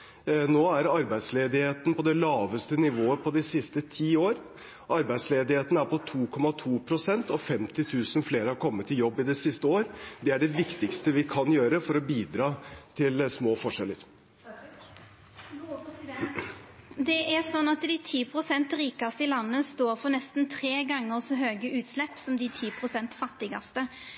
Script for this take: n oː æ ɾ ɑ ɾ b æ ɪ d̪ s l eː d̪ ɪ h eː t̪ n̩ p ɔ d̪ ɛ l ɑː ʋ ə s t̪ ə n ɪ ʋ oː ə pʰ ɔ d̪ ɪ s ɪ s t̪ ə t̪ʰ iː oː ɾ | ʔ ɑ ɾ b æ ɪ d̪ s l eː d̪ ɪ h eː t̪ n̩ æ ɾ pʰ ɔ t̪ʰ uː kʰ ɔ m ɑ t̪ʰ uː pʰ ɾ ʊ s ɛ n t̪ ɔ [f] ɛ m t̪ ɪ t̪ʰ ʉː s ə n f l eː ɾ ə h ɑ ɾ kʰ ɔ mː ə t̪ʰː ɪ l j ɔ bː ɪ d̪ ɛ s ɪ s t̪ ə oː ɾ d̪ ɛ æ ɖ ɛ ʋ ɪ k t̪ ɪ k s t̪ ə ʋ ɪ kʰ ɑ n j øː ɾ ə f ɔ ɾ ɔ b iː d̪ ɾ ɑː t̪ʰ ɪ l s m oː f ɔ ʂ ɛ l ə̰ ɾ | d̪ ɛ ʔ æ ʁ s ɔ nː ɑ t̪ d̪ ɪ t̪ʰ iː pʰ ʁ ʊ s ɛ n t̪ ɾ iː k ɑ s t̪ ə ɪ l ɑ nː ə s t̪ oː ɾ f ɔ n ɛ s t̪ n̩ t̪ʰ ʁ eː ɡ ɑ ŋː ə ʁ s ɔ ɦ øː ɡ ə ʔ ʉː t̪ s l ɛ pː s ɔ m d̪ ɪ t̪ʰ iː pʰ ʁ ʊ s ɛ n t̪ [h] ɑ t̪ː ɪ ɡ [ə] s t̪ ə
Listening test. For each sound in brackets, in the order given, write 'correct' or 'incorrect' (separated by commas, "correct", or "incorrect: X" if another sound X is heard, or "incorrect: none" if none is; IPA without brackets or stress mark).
correct, incorrect: f, incorrect: ɑ